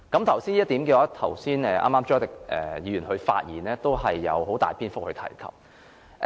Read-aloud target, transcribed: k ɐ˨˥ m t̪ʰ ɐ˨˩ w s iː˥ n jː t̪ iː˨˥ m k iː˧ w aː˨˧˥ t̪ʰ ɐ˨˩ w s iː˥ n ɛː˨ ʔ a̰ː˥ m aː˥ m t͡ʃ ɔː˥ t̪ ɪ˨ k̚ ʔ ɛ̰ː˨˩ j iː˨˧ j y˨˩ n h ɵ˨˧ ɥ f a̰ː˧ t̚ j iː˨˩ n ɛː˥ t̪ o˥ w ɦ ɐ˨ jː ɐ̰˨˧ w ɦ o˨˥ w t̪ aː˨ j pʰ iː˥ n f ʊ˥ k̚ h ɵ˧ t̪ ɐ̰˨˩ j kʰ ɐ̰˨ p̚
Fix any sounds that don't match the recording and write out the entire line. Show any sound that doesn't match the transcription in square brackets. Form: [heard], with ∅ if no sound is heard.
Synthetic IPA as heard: k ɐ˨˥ m t̪ʰ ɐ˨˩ w s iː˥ n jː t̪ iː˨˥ m k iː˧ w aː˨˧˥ t̪ʰ ɐ˨˩ w s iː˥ n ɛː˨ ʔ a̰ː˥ m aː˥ m t͡ʃ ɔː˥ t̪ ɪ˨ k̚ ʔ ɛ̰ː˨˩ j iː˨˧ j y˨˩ n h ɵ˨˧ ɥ f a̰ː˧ t̚ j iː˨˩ n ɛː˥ t̪ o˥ w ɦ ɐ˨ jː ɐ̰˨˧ w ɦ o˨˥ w t̪ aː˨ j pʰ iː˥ n f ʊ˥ k̚ h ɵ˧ [t̪ʰ] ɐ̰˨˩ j kʰ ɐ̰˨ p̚